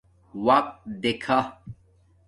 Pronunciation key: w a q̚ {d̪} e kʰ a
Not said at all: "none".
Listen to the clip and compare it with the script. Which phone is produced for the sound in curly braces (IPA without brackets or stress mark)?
d̪